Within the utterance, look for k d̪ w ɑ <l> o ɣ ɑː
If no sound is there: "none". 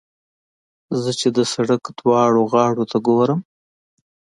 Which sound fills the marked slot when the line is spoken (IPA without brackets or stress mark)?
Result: ɽ